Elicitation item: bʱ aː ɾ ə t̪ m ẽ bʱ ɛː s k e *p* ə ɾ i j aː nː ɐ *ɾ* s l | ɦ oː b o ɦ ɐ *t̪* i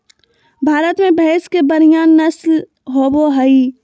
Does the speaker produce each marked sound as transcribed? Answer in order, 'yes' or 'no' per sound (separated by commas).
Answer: no, no, no